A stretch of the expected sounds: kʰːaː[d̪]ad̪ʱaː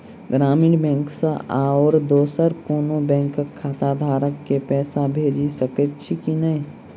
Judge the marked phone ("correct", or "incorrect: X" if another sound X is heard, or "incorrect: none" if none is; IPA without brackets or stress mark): incorrect: t̪